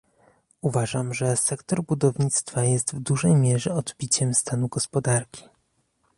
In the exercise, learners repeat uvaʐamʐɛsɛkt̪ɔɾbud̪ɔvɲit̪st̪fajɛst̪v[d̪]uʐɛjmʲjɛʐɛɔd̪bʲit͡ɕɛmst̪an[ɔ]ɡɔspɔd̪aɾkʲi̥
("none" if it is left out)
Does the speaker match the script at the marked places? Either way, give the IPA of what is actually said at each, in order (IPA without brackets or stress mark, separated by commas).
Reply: d̪, u